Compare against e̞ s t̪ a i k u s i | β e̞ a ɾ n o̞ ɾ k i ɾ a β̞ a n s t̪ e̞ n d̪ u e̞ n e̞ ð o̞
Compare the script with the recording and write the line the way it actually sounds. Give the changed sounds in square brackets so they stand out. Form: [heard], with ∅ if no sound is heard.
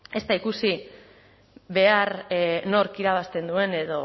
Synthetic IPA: e̞ s t̪ a i k u s i | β e̞ a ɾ n o̞ ɾ k i ɾ a β̞ a [∅] s t̪ e̞ n d̪ u e̞ n e̞ ð o̞